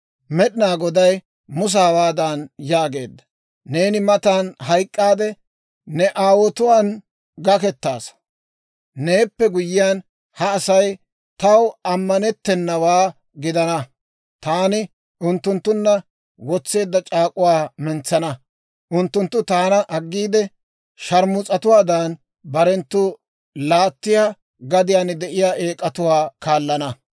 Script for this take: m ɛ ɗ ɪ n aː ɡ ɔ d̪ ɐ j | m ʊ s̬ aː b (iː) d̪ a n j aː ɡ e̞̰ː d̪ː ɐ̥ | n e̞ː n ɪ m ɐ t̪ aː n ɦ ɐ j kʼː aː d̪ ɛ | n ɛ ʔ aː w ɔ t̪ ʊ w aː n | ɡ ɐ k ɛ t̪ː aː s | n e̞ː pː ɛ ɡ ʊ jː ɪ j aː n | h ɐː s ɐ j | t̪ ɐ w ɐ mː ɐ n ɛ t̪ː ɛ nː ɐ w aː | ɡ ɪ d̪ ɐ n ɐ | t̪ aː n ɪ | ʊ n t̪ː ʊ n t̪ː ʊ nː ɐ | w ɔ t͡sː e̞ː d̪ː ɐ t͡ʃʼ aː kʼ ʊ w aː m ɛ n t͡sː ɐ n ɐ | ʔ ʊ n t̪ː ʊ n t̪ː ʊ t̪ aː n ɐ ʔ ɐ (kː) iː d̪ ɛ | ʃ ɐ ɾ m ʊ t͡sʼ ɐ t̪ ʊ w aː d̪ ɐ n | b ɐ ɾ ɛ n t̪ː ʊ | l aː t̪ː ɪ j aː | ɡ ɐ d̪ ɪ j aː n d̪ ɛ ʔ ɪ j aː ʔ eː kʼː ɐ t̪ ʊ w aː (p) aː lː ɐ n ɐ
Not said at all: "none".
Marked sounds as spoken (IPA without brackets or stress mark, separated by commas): aː, ɡː, k